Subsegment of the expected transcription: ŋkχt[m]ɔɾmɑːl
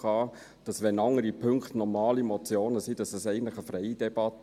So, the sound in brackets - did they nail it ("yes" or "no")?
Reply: no